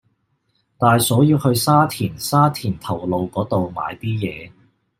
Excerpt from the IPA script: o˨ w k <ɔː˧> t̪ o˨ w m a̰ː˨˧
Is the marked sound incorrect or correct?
incorrect